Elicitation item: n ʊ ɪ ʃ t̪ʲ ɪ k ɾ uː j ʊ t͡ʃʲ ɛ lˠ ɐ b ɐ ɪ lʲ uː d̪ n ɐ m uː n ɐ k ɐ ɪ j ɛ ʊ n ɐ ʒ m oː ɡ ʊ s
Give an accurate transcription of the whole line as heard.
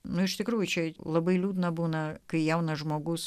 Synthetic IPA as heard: n ʊ ɪ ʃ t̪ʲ ɪ k ɾ uː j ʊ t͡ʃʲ ɛ lˠ ɐ b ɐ ɪ lʲ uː d̪ n ɐ b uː n ɐ k ɐ ɪ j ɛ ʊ n ɐ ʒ m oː ɡ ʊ s